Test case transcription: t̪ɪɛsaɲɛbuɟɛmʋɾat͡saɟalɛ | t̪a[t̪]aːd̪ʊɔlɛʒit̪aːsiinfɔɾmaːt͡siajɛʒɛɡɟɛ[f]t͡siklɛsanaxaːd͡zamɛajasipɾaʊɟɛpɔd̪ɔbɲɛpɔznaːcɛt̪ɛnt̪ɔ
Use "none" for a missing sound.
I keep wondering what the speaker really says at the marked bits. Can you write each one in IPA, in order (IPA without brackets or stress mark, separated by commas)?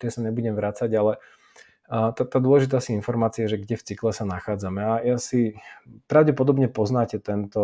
t̪, f